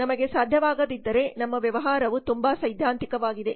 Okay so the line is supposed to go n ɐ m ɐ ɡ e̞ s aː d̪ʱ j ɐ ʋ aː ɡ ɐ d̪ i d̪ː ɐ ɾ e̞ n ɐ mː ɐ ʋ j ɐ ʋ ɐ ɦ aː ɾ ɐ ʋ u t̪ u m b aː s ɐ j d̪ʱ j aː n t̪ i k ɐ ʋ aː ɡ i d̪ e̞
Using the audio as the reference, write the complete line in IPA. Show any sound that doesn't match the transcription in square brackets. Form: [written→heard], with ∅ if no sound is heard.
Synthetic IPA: n ɐ m ɐ ɡ e̞ s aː d̪ʱ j ɐ ʋ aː ɡ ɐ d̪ i d̪ː ɐ ɾ e̞ n ɐ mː ɐ ʋ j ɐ ʋ ɐ ɦ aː ɾ ɐ ʋ u t̪ u m b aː s ɐ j d̪ʱ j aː n t̪ i k ɐ ʋ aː ɡ i d̪ e̞